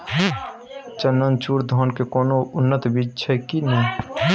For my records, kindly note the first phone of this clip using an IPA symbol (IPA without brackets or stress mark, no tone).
t͡ʃ